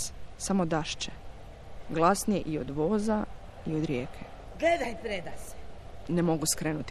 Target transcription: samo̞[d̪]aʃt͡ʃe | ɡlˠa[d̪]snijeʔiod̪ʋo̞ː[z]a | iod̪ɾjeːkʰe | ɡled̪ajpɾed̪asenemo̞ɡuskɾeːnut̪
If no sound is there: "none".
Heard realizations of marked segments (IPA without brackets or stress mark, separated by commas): d̪, none, z